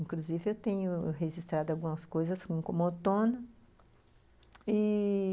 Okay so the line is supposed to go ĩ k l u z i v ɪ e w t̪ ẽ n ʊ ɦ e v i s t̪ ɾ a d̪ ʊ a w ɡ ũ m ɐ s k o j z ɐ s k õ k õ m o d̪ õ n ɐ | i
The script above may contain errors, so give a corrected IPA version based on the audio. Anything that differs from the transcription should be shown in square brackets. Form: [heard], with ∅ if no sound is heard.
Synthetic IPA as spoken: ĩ k l u z i v ɪ e w t̪ ẽ [ɲ] ʊ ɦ e [ʒ] i s t̪ ɾ a d̪ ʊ a w ɡ ũ m ɐ s k o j z ɐ s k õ k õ m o [t̪] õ n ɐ | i